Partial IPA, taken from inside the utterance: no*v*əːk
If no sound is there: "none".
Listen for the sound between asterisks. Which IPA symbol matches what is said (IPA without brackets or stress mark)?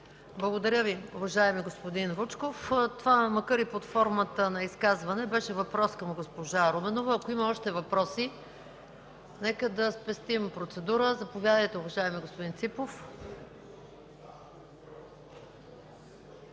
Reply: v